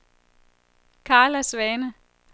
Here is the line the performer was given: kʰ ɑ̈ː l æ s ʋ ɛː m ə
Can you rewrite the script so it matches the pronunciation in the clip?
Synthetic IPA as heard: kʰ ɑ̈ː l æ s ʋ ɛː n ə